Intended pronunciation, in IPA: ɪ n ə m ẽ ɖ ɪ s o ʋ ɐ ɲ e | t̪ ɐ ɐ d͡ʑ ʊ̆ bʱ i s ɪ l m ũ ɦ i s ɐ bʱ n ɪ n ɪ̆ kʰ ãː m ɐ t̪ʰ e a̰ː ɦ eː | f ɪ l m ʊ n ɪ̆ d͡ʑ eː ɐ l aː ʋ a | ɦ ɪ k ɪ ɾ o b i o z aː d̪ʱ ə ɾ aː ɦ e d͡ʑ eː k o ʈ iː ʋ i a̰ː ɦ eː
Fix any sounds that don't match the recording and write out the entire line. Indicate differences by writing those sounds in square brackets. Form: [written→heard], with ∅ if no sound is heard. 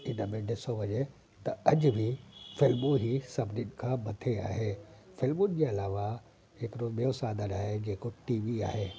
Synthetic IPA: ɪ n ə m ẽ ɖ ɪ s o ʋ ɐ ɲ e | t̪ ɐ ɐ d͡ʑ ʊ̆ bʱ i [s→f] ɪ l m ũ ɦ i s ɐ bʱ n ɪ n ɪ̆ kʰ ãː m ɐ t̪ʰ e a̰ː ɦ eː | f ɪ l m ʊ n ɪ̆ d͡ʑ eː ɐ l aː ʋ a | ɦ ɪ k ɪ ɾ o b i o [z→s] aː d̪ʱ ə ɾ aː ɦ e d͡ʑ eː k o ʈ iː ʋ i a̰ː ɦ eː